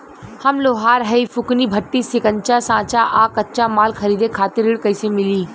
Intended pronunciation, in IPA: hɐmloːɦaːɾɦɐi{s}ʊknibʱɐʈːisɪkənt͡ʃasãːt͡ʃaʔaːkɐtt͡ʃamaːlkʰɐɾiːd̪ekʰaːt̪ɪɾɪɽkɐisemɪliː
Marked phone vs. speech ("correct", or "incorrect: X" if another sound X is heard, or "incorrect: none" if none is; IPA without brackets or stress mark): incorrect: f